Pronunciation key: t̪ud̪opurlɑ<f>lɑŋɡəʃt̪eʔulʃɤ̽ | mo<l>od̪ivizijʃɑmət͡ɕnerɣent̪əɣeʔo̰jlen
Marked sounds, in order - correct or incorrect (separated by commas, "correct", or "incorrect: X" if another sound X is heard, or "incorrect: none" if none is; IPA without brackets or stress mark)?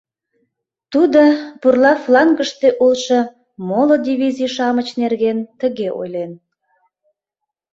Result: correct, correct